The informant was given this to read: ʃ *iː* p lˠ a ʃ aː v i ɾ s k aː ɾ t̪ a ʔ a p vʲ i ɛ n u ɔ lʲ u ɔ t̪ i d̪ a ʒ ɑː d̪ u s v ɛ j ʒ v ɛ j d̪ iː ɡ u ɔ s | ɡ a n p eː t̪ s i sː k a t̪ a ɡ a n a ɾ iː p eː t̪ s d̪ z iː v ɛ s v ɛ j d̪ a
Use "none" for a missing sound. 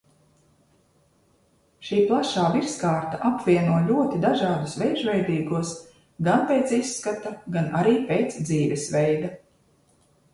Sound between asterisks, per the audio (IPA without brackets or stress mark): iː